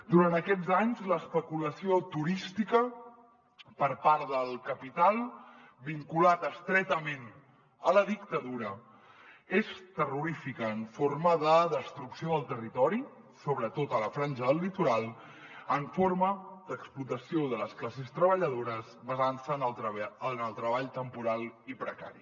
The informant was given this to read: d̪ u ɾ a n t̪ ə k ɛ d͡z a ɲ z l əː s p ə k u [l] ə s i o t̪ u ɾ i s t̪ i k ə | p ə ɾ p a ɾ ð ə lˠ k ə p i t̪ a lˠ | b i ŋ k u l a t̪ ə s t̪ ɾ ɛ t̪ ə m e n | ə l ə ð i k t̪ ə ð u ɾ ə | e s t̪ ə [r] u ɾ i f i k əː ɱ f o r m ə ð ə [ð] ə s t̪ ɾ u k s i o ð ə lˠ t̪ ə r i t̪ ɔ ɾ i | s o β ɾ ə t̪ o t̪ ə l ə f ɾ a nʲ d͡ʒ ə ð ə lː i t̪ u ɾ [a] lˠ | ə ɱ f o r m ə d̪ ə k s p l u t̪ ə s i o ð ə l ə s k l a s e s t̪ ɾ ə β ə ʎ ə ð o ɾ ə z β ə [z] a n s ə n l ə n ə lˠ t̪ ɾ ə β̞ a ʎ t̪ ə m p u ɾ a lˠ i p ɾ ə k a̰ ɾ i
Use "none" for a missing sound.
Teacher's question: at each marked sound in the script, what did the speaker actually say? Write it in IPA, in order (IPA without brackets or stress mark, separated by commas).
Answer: l, r, ð, a, z